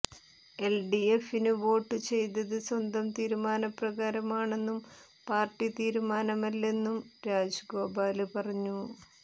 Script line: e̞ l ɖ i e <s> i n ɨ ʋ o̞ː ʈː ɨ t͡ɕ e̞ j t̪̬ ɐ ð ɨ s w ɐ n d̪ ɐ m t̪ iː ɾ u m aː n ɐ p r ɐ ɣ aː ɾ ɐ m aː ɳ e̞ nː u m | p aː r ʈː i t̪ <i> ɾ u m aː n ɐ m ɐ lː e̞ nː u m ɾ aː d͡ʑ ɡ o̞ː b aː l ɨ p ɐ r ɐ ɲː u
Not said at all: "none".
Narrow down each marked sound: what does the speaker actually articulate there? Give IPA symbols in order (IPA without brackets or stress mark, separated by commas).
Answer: f, iː